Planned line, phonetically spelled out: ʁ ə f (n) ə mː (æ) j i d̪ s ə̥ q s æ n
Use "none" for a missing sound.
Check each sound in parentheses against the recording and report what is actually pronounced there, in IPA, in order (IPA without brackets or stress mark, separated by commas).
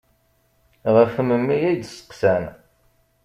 m, i